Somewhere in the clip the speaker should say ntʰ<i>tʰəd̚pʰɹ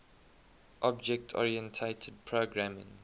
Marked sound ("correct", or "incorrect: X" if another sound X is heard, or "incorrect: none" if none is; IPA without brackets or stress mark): incorrect: e